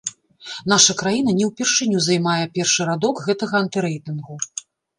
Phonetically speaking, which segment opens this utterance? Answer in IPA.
n̪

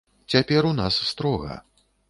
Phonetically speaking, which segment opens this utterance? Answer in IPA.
t͡sʲ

